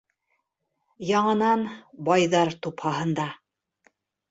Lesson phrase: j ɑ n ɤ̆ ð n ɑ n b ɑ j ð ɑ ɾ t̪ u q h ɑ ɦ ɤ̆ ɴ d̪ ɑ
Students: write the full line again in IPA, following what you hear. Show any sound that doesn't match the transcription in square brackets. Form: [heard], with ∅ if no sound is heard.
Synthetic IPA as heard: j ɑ [ɴ] ɤ̆ [∅] n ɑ n b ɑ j ð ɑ ɾ t̪ u [p] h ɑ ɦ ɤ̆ [n] d̪ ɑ